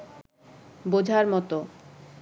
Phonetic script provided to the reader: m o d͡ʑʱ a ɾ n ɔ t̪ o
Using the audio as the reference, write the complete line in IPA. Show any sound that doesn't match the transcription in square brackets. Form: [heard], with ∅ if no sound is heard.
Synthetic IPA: [b] o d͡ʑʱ a ɾ [m] ɔ t̪ o